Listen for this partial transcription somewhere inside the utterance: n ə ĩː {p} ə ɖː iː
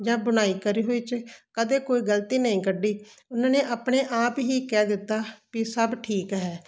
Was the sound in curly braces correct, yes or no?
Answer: no